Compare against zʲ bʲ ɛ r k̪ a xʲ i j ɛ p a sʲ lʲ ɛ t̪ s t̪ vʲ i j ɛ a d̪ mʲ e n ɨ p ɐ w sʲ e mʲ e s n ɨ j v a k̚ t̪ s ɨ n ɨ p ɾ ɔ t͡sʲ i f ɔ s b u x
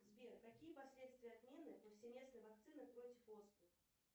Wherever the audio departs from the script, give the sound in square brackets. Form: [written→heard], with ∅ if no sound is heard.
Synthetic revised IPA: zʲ bʲ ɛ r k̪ a [xʲ→kʲ] i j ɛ p a sʲ lʲ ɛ t̪ s t̪ vʲ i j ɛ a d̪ mʲ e n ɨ p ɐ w sʲ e mʲ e s n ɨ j v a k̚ t̪ s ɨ n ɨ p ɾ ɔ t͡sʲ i f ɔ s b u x

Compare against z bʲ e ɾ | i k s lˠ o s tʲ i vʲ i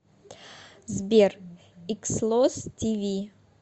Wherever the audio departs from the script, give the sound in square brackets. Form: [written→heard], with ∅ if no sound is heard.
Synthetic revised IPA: z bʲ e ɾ | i k s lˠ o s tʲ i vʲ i

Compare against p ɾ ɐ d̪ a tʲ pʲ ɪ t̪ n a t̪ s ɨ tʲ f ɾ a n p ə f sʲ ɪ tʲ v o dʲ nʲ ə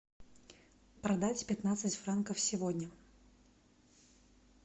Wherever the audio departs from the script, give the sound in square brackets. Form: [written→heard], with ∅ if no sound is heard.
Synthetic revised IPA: p ɾ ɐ d̪ a tʲ pʲ ɪ t̪ n a t̪ s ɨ tʲ f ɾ a n [p→k] ə f sʲ ɪ [tʲ→∅] v o dʲ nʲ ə

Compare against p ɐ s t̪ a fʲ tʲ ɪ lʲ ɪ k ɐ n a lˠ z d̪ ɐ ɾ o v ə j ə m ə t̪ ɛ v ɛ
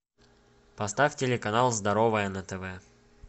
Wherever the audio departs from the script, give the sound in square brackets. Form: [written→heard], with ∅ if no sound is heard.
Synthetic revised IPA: p ɐ s t̪ a fʲ tʲ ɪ lʲ ɪ k ɐ n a lˠ z d̪ ɐ ɾ o v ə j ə [m→n] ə t̪ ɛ v ɛ

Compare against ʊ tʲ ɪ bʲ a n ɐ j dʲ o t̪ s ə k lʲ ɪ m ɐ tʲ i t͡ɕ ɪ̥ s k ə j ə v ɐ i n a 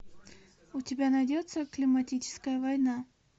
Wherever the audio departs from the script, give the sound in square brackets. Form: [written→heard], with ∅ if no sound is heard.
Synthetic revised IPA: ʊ tʲ ɪ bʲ a n ɐ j dʲ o t̪ s ə k lʲ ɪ m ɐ tʲ i t͡ɕ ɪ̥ s k ə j ə v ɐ [i→j] n a

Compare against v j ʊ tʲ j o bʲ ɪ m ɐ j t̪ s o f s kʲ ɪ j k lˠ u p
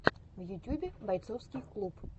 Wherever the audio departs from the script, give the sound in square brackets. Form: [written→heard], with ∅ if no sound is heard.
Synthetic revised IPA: v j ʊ tʲ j [o→u] bʲ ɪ [m→b] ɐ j t̪ s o f s kʲ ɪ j k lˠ u p

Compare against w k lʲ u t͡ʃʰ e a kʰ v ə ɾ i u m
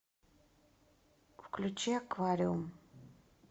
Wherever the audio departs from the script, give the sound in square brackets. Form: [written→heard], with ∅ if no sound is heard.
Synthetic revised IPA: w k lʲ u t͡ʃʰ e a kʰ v [ə→a] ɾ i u m

